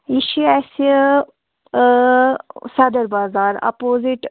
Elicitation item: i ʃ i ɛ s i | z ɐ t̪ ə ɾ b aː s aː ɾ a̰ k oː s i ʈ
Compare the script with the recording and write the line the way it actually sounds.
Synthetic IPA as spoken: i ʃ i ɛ s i | s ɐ d̪ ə ɾ b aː z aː ɾ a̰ p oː z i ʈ